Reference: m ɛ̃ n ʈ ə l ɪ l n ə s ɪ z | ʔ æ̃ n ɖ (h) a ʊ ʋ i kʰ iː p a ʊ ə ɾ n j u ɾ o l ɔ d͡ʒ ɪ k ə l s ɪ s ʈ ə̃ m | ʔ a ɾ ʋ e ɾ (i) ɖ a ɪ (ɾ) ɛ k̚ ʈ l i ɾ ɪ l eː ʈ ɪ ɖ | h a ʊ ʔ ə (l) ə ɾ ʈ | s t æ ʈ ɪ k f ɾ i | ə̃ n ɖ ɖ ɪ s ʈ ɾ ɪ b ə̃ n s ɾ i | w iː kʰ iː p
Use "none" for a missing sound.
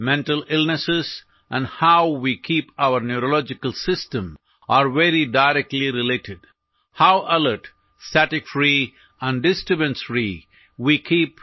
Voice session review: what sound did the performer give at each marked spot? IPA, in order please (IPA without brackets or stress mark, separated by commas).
h, i, ɾ, l